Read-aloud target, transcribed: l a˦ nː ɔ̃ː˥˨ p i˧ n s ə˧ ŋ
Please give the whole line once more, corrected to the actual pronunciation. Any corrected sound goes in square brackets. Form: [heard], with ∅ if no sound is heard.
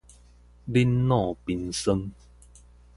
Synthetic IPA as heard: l [i˦] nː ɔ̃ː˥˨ p i˧ n s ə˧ ŋ